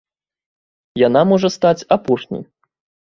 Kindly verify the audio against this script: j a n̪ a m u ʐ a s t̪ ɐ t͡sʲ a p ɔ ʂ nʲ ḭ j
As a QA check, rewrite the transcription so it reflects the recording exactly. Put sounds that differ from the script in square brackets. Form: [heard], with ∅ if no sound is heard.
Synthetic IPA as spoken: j a n̪ a m [ɔ] ʐ [ɐ] s t̪ [a] t͡sʲ a p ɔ ʂ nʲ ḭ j